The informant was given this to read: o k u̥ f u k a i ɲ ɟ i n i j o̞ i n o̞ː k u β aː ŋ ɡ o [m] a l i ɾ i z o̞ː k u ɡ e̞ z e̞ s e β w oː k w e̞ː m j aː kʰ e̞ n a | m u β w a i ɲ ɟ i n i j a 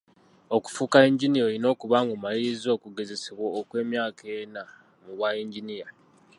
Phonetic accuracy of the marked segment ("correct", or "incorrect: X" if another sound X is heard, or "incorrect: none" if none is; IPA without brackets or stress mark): correct